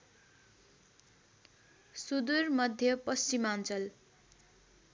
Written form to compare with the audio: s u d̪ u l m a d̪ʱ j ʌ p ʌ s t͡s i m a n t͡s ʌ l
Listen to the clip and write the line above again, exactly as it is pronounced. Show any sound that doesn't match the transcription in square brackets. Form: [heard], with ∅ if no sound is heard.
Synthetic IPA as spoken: s u d̪ u [r] m [ʌ] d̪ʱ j ʌ p ʌ s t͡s i m a n t͡s ʌ l